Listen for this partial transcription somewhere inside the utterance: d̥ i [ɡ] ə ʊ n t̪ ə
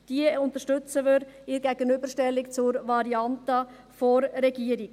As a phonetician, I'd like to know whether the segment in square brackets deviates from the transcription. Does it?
yes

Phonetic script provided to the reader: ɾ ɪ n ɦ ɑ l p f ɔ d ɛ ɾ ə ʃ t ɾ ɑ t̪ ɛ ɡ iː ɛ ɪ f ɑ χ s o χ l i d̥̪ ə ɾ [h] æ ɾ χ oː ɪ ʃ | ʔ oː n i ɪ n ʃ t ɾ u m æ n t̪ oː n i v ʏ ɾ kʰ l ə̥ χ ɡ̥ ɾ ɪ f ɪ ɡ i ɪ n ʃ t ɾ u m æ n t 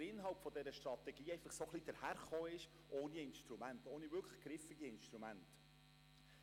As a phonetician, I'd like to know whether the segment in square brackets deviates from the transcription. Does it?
no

